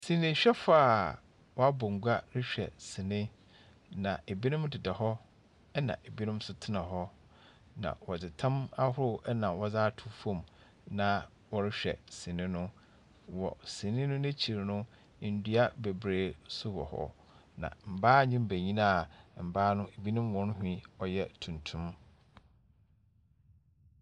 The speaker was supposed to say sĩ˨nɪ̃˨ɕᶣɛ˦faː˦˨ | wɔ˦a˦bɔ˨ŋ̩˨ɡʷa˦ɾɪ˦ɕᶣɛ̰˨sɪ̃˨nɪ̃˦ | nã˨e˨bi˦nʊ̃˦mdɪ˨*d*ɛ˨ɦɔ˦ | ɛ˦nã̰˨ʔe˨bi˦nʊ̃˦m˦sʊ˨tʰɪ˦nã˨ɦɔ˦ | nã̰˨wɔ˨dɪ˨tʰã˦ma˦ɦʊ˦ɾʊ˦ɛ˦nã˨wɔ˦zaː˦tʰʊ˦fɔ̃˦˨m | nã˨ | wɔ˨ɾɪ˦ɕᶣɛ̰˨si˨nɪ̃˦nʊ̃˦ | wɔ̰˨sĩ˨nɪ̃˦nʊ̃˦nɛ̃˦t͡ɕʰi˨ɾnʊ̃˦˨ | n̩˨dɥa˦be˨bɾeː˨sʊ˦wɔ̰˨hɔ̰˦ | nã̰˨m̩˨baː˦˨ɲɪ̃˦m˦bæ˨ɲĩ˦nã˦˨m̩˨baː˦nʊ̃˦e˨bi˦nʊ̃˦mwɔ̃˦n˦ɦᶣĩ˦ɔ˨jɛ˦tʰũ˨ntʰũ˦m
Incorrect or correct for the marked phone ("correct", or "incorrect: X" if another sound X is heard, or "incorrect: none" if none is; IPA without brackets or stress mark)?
correct